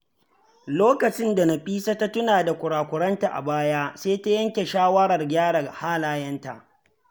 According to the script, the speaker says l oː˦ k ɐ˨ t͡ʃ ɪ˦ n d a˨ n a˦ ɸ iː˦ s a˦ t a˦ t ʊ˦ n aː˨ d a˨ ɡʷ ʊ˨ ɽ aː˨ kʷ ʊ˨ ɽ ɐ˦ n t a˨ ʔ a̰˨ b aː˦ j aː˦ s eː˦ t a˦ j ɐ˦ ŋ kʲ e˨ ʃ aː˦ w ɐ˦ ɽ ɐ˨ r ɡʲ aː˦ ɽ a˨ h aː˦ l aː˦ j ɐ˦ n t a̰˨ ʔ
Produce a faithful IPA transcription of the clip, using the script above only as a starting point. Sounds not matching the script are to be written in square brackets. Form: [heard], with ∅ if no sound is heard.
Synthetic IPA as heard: l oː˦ k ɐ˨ t͡ʃ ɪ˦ n d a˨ n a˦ ɸ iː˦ s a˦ t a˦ t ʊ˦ n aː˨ d a˨ [kʷ] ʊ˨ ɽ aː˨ kʷ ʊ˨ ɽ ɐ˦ n t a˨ ʔ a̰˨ b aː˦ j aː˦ s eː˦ t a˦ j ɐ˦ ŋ kʲ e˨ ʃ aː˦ w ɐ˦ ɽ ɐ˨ r ɡʲ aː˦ ɽ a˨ h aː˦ l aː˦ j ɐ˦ n t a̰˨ ʔ